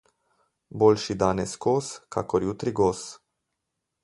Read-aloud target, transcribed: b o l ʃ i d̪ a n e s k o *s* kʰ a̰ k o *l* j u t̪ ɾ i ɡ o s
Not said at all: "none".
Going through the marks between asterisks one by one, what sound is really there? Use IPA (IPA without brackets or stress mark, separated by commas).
s, ɾ